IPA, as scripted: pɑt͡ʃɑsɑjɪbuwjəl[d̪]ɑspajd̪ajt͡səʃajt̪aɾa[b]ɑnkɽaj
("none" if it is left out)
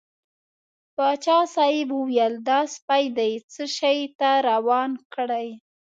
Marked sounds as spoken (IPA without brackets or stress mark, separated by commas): d̪, w